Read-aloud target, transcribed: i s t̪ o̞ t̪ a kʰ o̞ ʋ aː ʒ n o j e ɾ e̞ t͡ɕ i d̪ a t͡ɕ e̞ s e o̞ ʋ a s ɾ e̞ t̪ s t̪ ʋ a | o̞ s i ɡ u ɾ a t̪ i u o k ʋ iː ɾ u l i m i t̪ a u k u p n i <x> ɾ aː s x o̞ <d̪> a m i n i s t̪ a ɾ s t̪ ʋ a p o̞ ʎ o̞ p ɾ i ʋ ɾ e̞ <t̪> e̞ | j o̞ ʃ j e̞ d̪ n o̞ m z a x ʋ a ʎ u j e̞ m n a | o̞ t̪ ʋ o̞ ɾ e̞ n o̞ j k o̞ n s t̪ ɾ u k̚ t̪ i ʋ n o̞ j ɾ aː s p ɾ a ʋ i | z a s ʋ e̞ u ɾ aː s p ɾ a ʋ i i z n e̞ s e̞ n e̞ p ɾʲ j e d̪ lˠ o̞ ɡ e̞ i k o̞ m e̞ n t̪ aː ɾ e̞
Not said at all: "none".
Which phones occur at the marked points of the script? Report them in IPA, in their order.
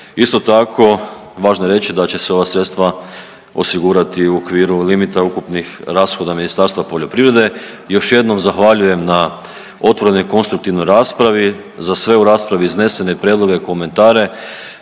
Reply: x, d̪, d̪

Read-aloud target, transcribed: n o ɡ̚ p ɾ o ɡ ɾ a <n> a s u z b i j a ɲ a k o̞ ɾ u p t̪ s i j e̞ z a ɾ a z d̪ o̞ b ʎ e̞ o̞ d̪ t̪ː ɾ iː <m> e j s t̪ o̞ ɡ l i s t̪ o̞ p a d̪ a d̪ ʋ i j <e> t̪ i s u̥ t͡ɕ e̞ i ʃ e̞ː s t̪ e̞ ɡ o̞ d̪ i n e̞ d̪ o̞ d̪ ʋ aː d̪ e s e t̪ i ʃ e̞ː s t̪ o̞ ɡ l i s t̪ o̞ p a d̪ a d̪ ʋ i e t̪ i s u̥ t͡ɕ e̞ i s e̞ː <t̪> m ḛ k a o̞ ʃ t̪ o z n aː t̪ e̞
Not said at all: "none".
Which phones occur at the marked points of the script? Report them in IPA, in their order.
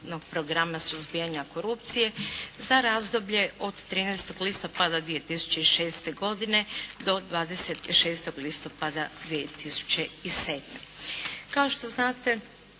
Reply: m, n, e, d̪

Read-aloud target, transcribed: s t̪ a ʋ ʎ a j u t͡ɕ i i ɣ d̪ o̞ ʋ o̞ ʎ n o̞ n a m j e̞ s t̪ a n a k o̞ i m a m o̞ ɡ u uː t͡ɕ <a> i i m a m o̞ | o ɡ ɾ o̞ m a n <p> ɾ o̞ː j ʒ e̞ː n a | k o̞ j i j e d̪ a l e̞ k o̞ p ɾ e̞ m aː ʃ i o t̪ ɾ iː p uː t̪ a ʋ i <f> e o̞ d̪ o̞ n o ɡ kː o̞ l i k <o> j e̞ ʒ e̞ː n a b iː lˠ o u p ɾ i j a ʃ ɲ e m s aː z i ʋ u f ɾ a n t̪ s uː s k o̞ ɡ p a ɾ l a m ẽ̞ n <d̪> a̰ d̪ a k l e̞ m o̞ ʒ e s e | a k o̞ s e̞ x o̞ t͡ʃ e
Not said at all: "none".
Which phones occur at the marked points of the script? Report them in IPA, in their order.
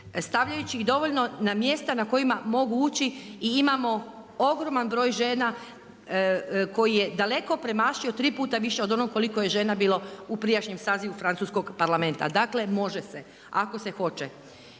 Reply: i, b, ʃ, o, t̪

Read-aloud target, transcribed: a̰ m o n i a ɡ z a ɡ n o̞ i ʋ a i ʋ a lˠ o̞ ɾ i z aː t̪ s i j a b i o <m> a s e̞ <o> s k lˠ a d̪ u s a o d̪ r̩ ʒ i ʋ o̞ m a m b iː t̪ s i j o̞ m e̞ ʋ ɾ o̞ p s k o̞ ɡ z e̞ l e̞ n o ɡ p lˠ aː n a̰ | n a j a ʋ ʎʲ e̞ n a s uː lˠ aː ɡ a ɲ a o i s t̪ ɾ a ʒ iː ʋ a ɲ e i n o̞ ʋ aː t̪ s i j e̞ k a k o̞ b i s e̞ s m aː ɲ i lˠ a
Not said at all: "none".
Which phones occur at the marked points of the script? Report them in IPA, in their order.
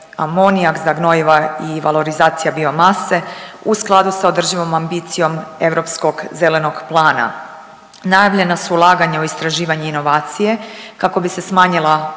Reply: m, u

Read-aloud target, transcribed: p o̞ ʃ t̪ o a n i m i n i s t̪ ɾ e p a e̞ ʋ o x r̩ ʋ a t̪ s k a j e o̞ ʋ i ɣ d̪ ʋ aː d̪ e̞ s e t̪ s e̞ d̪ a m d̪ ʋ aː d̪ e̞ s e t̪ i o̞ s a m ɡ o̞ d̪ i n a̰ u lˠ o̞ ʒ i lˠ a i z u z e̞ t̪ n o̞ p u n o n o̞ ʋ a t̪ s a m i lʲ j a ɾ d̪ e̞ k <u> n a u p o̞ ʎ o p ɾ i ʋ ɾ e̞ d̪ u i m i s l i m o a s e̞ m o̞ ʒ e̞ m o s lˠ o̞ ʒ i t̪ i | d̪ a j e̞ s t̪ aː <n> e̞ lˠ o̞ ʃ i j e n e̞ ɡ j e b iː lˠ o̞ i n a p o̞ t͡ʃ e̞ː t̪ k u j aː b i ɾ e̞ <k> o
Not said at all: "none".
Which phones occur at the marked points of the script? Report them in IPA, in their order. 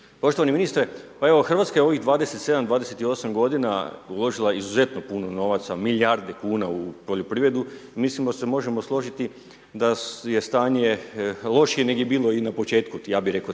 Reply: uː, ɲ, k

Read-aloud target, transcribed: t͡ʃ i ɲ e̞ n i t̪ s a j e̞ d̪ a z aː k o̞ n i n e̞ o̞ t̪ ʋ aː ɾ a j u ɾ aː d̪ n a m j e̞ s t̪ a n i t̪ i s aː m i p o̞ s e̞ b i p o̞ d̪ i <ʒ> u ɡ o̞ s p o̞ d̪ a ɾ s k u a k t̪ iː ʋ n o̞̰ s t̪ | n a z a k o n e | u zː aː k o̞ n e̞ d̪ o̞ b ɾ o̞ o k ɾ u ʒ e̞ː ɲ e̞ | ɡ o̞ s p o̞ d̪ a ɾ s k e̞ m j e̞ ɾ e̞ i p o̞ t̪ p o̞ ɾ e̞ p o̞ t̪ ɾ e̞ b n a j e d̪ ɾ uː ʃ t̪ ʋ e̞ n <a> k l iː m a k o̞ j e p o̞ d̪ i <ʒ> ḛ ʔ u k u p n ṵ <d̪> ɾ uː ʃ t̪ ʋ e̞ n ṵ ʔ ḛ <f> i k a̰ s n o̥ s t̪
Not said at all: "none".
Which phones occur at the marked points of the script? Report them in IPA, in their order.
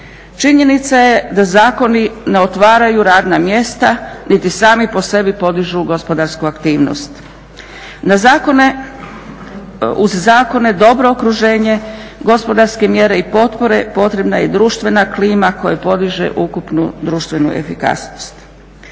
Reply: ʒ, a, ʒ, d̪, f

